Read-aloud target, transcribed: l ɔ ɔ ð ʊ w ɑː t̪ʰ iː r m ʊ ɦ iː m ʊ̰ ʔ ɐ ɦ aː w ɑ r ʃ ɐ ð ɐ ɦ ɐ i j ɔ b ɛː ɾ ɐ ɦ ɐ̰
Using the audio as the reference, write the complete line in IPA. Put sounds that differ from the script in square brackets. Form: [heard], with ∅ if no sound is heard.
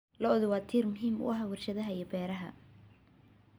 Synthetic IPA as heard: l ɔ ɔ ð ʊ w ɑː t̪ʰ iː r m ʊ ɦ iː m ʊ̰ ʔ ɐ ɦ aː w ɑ r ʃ ɐ ð ɐ ɦ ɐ i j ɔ b ɛː ɾ ɐ ɦ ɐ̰